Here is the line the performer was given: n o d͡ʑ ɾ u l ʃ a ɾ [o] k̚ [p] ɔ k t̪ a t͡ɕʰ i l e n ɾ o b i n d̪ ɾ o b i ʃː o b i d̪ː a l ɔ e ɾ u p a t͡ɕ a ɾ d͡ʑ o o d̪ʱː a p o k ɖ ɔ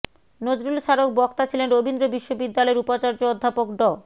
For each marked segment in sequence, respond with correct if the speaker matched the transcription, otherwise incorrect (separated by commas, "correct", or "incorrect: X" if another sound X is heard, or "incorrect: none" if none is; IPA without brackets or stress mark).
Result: correct, incorrect: b